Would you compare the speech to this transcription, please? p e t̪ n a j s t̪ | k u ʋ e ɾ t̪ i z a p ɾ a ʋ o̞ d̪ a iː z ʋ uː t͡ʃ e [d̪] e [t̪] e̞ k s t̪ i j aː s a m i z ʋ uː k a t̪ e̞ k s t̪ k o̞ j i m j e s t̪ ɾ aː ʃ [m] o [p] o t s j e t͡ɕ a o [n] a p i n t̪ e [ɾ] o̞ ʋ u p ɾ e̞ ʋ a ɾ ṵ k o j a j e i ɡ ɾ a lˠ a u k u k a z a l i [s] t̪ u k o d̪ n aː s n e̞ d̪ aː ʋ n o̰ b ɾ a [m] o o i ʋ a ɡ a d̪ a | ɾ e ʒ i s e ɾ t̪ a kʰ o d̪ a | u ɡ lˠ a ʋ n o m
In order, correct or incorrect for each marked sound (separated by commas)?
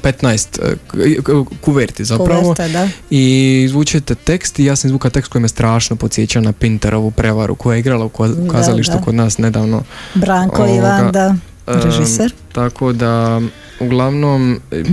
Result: incorrect, correct, incorrect, correct, correct, correct, incorrect, incorrect